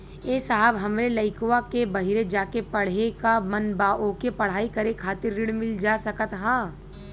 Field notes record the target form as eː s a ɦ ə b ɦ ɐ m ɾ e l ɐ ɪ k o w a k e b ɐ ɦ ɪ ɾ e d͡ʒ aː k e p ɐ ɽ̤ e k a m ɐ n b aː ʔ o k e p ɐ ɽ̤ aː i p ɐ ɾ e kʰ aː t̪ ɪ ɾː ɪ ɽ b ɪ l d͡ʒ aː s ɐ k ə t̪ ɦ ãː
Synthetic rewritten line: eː s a ɦ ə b ɦ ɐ m ɾ e l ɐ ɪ k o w a k e b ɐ ɦ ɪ ɾ e d͡ʒ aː k e p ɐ ɽ̤ e k a m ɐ n b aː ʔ o k e p ɐ ɽ̤ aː i k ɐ ɾ e kʰ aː t̪ ɪ ɾː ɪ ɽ m ɪ l d͡ʒ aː s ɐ k ə t̪ ɦ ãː